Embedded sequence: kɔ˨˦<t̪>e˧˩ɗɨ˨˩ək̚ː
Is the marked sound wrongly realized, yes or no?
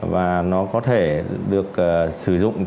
yes